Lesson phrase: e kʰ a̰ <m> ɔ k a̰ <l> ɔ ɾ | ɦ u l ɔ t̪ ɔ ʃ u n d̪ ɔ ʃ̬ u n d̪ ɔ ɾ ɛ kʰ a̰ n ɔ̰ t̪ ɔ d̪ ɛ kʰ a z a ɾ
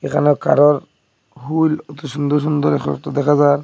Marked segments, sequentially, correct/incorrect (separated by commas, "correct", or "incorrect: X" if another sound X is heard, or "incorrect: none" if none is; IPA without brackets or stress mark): incorrect: n, incorrect: ɾ